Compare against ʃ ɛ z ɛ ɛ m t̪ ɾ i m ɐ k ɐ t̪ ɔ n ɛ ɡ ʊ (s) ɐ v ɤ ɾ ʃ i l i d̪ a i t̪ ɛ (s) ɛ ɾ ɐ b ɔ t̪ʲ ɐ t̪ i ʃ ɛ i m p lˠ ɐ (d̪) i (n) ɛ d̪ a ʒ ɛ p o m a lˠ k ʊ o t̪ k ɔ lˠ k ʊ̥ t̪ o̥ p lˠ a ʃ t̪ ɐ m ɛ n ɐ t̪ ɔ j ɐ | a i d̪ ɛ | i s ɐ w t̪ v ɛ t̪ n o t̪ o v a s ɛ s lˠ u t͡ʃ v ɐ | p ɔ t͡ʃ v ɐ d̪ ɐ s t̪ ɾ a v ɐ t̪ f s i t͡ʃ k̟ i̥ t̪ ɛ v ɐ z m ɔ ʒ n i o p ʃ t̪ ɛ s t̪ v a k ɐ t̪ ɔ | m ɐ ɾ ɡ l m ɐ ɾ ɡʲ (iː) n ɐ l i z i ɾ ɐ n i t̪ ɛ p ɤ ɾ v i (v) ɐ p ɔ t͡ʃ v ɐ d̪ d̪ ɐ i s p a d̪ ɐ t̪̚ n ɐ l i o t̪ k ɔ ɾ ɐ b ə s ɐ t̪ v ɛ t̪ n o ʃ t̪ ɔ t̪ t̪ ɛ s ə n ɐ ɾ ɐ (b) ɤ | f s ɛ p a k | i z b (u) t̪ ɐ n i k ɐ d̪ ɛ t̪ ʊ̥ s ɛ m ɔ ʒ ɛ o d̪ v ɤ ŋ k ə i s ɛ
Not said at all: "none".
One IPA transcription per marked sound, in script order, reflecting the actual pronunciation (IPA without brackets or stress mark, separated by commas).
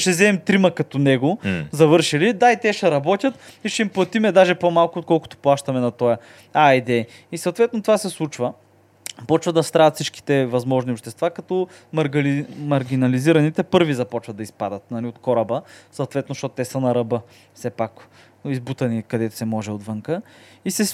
z, ʃ, t̪, m, i, z, b, u